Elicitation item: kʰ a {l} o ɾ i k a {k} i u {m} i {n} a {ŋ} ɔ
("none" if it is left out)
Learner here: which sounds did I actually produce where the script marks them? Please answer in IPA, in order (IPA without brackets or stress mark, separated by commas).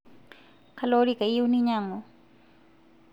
l, none, n, ɲ, ŋ